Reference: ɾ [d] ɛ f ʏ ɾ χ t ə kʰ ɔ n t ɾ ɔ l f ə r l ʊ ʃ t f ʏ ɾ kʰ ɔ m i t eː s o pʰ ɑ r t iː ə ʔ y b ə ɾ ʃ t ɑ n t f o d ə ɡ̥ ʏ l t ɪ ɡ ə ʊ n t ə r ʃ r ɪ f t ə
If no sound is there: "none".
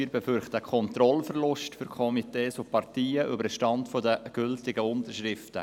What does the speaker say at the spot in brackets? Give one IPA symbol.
b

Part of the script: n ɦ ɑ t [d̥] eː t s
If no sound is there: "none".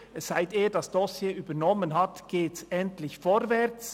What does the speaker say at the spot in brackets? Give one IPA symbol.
ɡ̥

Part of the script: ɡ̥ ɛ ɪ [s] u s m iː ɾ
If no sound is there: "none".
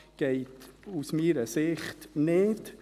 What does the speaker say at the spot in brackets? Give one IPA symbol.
t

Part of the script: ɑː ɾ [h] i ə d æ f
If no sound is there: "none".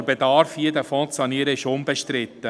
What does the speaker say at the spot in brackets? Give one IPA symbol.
f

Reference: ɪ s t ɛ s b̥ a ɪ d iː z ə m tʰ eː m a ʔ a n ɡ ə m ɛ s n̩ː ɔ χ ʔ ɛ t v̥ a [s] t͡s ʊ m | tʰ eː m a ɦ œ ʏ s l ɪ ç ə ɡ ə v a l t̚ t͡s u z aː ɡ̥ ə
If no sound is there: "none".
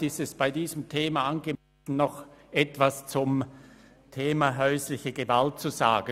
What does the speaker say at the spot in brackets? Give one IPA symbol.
s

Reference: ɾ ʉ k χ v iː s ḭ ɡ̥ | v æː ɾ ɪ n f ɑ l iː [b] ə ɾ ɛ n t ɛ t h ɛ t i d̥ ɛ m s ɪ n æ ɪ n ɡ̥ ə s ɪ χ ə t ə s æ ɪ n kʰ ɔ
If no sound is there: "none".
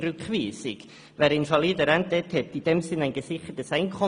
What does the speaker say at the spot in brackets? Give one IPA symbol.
d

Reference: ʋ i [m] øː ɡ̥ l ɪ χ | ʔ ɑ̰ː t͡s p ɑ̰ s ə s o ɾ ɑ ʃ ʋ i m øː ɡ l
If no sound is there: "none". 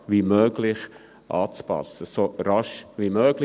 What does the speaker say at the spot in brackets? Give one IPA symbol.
m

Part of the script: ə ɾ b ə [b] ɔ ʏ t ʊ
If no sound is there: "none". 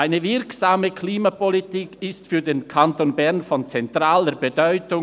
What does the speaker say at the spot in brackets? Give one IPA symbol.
d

